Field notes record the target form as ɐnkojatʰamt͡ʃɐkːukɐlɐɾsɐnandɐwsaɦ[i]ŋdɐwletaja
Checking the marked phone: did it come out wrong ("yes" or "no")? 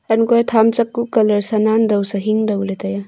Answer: no